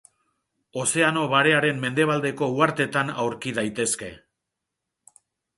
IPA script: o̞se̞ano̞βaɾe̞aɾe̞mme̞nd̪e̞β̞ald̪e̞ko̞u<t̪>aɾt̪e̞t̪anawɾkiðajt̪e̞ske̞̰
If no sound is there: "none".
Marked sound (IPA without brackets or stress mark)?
none